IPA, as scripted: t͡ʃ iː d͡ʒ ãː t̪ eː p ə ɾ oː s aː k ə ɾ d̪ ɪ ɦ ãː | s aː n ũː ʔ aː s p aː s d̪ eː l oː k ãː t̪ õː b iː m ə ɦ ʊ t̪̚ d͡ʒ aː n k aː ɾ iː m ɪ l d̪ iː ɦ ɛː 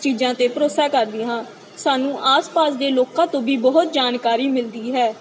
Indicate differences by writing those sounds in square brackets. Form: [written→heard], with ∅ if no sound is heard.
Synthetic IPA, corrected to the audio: t͡ʃ iː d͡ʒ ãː t̪ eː p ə ɾ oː s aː k ə ɾ d̪ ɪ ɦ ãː | s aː n ũː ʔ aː s p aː s d̪ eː l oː k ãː t̪ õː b iː [m→b] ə ɦ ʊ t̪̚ d͡ʒ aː n k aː ɾ iː m ɪ l d̪ iː ɦ ɛː